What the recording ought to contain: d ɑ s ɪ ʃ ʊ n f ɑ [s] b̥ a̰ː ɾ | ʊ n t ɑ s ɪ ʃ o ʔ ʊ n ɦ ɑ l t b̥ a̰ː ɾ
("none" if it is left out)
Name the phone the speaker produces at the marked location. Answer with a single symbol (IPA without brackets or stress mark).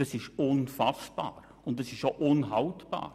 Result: s